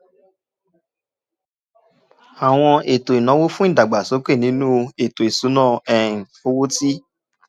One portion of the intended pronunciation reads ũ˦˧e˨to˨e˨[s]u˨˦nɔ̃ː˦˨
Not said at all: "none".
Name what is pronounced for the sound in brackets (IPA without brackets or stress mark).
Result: s